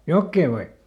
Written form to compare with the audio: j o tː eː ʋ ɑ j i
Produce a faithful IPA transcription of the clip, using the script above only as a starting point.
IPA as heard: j o kː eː ʋ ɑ i